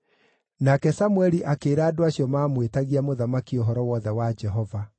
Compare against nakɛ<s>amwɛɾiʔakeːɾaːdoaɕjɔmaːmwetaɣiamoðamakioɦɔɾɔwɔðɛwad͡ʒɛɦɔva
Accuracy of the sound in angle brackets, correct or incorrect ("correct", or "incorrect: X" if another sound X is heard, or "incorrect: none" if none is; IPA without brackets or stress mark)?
correct